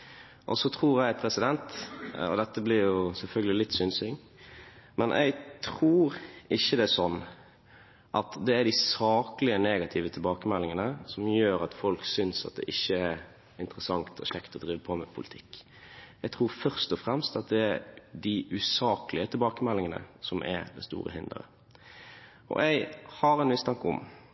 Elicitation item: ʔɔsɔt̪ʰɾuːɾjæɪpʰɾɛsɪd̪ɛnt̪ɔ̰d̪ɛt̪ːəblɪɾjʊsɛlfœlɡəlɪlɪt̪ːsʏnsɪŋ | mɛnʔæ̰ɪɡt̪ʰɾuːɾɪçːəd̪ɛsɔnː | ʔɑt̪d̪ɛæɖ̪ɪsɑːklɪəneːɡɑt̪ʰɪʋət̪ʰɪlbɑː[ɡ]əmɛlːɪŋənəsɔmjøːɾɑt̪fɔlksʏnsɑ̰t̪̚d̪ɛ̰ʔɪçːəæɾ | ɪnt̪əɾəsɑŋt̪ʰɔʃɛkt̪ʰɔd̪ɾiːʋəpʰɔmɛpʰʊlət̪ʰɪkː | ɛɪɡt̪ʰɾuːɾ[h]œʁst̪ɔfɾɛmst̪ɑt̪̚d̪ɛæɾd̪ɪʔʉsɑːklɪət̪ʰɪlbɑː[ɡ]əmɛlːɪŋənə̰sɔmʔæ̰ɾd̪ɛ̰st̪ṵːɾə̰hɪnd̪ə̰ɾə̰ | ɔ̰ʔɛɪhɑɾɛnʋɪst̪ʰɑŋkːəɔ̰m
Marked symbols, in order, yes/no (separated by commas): no, no, no